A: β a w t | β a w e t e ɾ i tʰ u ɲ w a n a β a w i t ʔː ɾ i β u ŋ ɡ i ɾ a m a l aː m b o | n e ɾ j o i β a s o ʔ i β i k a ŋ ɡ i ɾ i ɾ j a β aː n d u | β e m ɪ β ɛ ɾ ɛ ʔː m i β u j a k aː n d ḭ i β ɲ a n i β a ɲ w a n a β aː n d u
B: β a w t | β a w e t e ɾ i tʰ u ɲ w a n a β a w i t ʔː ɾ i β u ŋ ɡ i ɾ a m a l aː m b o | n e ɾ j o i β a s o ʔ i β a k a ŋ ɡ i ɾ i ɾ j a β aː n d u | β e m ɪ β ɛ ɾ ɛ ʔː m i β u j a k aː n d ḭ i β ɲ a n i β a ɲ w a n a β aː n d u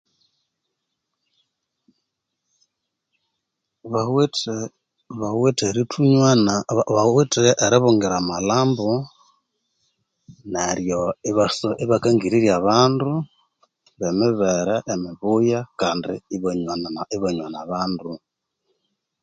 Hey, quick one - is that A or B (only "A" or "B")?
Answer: B